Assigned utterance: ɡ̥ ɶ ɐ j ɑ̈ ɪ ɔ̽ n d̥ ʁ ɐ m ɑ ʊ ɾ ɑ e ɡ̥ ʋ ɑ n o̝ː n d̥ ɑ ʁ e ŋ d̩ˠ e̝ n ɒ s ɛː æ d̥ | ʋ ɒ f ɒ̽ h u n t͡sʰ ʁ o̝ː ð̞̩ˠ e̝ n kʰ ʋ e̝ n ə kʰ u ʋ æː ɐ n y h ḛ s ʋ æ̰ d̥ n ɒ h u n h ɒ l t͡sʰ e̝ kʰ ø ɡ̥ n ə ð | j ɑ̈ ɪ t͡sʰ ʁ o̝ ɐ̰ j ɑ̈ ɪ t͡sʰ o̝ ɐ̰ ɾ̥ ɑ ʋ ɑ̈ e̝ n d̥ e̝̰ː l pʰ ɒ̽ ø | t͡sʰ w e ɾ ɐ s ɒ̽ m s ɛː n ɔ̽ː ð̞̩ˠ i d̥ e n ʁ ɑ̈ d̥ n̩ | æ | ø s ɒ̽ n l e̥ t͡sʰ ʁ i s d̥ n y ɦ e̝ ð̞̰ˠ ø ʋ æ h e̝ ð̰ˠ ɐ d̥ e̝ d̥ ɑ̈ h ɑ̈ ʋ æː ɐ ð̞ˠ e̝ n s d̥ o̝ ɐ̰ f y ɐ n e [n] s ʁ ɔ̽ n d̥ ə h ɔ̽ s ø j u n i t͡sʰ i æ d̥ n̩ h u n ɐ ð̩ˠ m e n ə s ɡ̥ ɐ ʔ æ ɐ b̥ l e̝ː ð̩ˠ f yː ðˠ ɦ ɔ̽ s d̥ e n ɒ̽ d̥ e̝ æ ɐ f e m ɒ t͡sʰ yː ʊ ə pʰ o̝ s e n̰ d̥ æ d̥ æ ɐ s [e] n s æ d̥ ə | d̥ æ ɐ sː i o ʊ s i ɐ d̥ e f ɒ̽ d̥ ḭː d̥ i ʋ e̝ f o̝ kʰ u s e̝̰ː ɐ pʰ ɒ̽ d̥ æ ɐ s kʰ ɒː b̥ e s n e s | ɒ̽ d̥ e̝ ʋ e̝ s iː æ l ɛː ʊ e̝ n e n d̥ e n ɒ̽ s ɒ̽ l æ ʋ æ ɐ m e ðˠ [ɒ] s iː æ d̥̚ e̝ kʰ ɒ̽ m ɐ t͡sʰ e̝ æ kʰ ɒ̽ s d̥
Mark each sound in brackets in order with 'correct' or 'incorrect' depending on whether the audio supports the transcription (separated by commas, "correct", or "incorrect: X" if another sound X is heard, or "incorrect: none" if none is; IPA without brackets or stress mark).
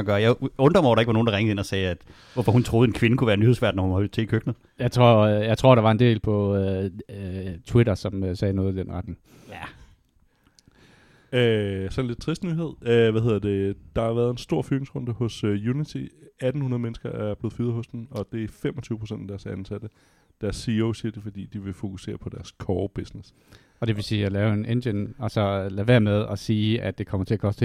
incorrect: ŋ, incorrect: æ, correct